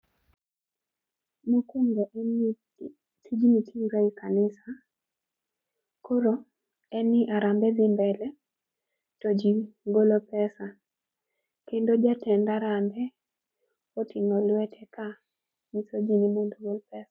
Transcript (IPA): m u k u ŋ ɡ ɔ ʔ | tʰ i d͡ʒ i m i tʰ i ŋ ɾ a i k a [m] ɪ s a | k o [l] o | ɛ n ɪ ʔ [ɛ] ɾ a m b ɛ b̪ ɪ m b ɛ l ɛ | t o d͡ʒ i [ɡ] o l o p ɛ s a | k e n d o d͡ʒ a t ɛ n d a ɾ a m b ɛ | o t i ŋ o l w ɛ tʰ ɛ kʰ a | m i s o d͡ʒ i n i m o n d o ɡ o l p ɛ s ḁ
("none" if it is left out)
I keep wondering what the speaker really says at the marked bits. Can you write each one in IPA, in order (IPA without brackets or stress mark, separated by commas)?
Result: n, ɾ, a, ɡ